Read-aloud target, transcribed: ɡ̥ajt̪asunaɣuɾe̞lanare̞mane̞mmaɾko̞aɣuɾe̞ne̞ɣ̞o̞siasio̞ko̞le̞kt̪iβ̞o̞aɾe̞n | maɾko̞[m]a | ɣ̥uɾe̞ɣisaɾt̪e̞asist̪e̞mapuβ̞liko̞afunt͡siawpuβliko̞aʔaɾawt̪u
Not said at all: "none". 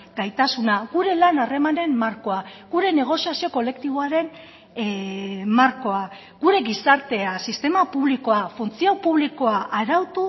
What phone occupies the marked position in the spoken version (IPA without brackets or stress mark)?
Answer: none